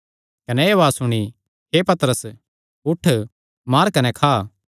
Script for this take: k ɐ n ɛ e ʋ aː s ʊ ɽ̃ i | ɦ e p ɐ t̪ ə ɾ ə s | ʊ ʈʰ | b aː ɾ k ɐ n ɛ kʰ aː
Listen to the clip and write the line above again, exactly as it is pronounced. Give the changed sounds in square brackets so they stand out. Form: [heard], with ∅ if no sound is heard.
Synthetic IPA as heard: k ɐ n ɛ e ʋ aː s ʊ ɽ̃ i | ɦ e p ɐ t̪ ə ɾ ə s | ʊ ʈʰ | [m] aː ɾ k ɐ n ɛ kʰ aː